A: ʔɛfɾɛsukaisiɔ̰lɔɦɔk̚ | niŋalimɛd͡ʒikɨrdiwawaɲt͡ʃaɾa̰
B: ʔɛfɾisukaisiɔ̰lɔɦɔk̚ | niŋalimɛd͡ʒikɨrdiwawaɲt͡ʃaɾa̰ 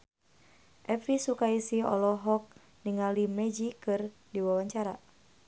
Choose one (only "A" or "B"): B